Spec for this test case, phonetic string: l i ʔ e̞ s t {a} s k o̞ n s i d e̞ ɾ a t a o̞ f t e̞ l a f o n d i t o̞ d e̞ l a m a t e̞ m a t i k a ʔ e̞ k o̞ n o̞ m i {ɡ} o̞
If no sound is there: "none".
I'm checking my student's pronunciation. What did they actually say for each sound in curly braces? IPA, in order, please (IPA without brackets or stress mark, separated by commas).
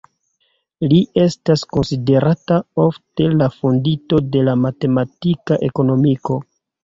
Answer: a, k